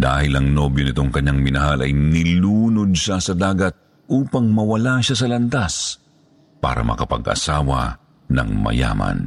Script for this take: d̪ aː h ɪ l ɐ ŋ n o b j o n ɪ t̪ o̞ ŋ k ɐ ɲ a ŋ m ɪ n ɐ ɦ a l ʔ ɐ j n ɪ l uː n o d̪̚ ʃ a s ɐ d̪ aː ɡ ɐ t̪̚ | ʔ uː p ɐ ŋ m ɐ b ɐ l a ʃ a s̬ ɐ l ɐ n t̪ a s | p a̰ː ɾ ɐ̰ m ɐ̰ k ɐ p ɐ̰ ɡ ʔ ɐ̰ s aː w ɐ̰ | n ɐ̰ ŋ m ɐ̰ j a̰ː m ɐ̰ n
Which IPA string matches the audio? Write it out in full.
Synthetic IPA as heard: d̪ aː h ɪ l ɐ ŋ n o b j o n ɪ t̪ o̞ ŋ k ɐ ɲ a ŋ m ɪ n ɐ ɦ a l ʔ ɐ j n ɪ l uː n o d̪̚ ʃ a s ɐ d̪ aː ɡ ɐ t̪̚ | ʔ uː p ɐ ŋ m ɐ w ɐ l a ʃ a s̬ ɐ l ɐ n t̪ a s | p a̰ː ɾ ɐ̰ m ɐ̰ k ɐ p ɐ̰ ɡ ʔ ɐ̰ s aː w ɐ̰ | n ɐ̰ ŋ m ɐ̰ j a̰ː m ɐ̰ n